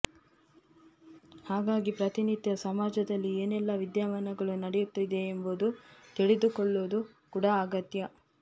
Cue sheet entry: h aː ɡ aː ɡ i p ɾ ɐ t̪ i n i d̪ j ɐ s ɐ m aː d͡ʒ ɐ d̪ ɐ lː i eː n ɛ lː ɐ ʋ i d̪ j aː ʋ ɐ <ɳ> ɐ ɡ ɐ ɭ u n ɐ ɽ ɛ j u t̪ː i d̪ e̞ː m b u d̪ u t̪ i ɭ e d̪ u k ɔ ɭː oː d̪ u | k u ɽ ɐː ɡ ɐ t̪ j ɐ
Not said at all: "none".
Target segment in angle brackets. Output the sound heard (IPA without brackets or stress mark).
n